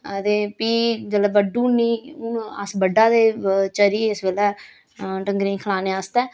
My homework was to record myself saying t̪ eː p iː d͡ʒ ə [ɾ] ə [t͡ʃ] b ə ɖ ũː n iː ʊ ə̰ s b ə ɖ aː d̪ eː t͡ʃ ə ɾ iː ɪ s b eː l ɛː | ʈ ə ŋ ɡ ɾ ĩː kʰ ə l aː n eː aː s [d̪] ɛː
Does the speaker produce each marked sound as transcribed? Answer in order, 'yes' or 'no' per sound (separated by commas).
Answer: no, no, no